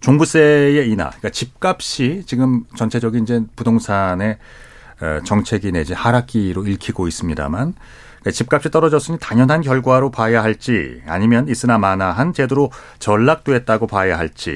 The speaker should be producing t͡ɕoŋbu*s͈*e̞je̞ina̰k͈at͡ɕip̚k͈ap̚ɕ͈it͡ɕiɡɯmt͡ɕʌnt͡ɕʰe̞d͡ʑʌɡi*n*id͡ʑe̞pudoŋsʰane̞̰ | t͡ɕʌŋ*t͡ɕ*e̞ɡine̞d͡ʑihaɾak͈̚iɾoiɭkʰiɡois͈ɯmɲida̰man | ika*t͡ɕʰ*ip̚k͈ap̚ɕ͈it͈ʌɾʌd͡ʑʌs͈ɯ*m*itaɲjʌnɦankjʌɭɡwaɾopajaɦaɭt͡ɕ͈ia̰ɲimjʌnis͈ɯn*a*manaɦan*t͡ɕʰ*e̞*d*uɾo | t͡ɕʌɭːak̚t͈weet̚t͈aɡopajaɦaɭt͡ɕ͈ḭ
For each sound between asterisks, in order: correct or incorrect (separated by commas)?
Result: correct, correct, incorrect, incorrect, incorrect, correct, incorrect, correct